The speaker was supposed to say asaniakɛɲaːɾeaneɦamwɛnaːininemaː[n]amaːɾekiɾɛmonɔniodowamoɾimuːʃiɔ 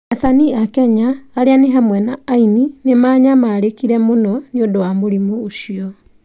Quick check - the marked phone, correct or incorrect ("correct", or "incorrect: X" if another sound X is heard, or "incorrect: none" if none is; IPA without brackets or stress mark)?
incorrect: ɲ